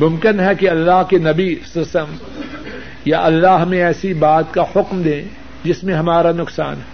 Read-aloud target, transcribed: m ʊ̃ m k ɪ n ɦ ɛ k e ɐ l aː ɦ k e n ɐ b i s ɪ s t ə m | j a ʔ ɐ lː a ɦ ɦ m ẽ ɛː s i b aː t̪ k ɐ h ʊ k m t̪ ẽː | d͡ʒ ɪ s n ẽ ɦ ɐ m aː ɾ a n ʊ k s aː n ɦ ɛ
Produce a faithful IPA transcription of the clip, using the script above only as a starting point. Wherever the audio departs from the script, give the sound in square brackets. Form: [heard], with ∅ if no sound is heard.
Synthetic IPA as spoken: m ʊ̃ m k ɪ n ɦ ɛ k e ɐ [lː] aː ɦ k e n ɐ b i s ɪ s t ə m | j a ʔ ɐ lː a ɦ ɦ m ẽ ɛː s i b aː t̪ k [a] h ʊ k m [d̪] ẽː | d͡ʒ ɪ s [m] ẽ ɦ ɐ m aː ɾ a n ʊ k s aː n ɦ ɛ